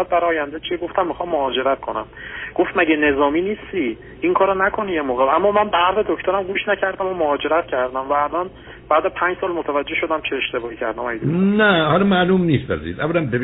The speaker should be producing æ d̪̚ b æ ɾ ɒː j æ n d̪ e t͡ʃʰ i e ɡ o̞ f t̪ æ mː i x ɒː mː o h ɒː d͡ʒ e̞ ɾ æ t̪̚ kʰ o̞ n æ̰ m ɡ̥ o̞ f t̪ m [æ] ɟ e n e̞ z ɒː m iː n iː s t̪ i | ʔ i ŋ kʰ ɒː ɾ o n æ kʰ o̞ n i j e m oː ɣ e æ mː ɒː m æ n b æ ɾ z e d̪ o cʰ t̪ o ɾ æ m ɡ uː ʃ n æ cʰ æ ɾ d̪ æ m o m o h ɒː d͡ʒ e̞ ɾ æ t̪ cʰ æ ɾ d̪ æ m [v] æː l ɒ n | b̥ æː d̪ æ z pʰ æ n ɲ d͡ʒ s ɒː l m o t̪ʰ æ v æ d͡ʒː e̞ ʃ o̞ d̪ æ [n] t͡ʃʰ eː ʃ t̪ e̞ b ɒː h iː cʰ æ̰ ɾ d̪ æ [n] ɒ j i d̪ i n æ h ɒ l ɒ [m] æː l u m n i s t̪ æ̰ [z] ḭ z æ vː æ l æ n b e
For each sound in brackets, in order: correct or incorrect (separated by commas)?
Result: correct, correct, incorrect, incorrect, correct, correct